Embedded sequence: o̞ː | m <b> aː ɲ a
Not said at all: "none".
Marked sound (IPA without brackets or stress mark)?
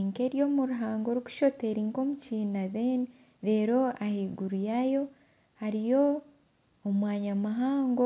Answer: w